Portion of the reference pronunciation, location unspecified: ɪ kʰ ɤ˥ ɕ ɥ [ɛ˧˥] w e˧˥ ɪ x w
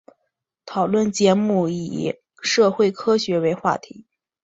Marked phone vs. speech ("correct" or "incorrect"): correct